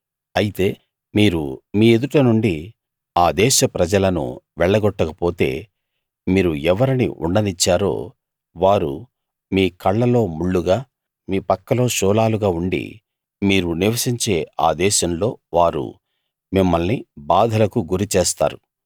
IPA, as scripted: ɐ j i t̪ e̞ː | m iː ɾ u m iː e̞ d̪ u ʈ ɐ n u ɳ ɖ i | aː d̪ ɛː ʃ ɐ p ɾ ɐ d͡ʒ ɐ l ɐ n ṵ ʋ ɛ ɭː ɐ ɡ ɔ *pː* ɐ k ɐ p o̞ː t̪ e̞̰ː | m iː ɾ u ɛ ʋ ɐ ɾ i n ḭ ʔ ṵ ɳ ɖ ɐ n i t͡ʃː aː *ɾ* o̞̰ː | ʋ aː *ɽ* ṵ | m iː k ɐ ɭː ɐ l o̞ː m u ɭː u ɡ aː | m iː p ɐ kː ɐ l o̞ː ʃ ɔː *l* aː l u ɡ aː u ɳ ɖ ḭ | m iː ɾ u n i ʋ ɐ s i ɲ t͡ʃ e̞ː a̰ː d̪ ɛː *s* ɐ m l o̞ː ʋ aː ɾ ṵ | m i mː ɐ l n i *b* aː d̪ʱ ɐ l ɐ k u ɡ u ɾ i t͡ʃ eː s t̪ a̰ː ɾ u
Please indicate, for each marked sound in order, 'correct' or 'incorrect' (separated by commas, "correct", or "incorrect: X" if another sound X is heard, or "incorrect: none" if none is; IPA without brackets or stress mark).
incorrect: ʈː, correct, incorrect: ɾ, correct, incorrect: ʃ, correct